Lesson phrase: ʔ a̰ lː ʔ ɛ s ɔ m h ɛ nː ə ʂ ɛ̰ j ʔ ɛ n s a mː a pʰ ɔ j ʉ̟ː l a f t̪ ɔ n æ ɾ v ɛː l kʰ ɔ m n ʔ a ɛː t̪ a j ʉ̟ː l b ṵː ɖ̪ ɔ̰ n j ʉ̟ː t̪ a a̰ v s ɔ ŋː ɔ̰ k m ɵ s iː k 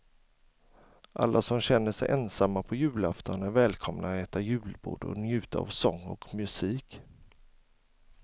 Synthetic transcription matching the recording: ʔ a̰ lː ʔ a s ɔ m ɕ ɛ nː ə ʂ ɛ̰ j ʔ ɛ n s a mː a pʰ ɔ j ʉ̟ː l a f t̪ ɔ n æ ɾ v ɛː l kʰ ɔ m n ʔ a ɛː t̪ a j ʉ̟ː l b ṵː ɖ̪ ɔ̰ n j ʉ̟ː t̪ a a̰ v s ɔ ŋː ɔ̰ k m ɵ s iː k